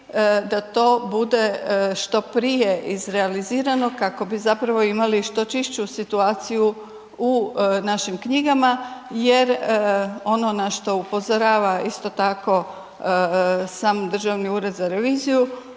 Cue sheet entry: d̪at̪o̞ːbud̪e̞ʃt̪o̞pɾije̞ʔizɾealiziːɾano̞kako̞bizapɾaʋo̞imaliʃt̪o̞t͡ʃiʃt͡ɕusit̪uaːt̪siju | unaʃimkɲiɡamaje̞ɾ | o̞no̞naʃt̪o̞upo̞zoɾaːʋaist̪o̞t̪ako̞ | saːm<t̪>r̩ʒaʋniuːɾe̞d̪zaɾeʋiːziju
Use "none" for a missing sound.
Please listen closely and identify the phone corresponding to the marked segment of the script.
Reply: d̪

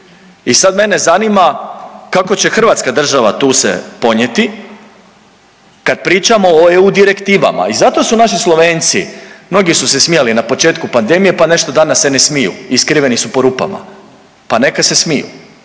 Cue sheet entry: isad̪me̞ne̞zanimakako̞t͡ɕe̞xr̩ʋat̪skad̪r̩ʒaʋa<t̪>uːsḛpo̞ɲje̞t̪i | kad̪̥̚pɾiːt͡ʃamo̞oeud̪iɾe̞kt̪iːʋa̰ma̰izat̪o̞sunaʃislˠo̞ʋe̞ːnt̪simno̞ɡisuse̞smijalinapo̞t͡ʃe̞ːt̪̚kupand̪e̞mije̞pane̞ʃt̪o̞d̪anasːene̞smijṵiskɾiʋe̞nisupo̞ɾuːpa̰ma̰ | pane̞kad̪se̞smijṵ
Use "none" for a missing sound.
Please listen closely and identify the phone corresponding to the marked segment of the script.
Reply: t̪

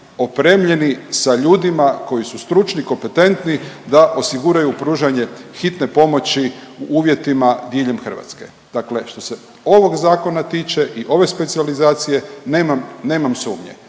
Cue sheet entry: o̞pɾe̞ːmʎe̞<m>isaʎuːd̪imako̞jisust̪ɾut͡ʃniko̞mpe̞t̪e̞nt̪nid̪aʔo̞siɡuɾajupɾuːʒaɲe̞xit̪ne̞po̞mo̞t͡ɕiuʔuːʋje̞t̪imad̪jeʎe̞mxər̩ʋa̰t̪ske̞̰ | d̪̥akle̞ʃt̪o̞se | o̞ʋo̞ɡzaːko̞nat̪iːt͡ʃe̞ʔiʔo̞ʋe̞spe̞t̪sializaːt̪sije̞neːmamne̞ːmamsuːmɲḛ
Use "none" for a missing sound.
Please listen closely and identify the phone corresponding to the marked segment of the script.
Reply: n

